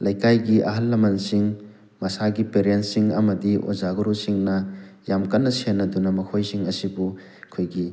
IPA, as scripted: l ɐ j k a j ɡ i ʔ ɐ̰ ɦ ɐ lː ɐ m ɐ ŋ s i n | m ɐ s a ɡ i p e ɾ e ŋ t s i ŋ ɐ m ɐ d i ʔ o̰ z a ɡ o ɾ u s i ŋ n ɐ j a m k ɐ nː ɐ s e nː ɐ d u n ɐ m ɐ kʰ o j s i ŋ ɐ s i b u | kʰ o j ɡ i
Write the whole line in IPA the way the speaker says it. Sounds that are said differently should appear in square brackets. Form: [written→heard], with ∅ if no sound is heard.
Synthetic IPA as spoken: l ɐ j k a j ɡ i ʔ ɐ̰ ɦ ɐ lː ɐ m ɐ [ŋ→n] s i [n→ŋ] | m ɐ s a ɡ i p e ɾ e [ŋ→n] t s i ŋ ɐ m ɐ d i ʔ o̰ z a ɡ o ɾ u s i ŋ n ɐ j a m k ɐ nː ɐ s e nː ɐ d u n ɐ m ɐ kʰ o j s i ŋ ɐ s i b u | kʰ o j ɡ i